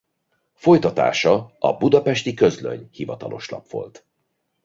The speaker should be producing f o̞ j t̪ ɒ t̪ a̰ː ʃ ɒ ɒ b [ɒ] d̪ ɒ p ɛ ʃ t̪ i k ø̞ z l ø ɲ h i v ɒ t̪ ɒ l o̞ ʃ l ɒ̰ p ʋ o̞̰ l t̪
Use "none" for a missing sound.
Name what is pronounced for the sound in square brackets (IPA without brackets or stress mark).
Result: u